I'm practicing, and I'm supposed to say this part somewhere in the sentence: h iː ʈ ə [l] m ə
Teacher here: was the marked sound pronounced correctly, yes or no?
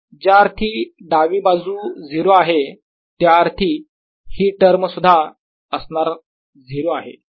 no